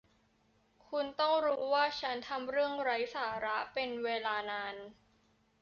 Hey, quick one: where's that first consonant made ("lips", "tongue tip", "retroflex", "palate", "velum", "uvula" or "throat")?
velum